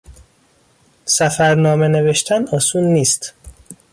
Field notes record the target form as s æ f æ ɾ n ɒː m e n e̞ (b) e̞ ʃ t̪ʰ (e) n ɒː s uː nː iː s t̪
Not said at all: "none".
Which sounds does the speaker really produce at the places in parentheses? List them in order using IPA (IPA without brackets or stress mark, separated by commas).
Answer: v, æ